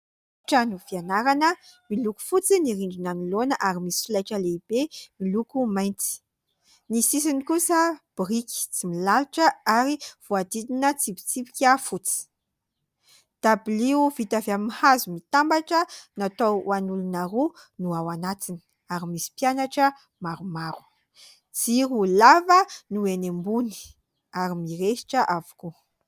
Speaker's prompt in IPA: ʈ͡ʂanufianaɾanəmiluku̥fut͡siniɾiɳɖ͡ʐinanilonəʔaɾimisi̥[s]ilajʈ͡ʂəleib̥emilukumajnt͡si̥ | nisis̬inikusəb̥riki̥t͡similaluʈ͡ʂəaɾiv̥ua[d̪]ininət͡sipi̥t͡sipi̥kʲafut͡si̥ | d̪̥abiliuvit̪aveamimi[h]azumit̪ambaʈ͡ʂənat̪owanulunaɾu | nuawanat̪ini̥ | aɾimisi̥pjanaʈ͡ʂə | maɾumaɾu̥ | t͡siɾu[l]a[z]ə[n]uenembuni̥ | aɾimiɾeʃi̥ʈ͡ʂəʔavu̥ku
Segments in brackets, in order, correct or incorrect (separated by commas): incorrect, correct, correct, correct, incorrect, correct